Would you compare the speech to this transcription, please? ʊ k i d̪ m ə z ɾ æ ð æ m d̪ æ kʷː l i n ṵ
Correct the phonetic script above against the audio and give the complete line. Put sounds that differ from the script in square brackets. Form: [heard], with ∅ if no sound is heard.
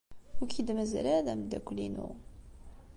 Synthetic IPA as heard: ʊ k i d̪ m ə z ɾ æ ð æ m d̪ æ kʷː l i n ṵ